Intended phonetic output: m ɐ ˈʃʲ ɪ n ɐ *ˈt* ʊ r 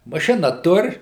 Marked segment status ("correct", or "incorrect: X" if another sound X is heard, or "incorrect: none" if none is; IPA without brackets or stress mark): correct